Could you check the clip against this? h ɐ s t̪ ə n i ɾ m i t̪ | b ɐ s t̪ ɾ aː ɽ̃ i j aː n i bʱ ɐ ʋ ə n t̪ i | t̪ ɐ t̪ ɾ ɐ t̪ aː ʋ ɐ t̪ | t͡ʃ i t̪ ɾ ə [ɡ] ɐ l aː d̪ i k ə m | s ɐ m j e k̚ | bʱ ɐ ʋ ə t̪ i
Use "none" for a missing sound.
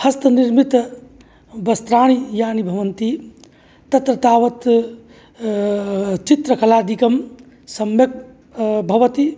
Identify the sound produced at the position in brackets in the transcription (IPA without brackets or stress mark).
k